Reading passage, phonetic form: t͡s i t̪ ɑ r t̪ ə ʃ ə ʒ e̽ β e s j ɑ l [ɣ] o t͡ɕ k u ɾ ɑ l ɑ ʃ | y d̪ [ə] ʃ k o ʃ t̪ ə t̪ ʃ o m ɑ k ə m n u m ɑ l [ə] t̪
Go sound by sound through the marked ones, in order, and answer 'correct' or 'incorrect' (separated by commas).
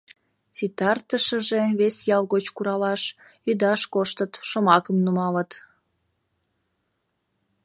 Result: correct, incorrect, correct